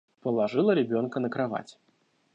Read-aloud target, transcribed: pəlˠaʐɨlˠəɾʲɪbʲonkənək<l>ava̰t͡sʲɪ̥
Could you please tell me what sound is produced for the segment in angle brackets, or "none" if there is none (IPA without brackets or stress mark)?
ɾ